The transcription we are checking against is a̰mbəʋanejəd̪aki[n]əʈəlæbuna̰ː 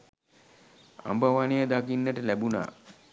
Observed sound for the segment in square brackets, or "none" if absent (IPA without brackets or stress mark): nː